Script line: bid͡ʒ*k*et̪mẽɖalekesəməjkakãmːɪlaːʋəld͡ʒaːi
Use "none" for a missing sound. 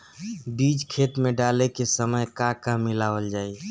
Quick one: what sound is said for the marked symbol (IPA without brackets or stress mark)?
kʰ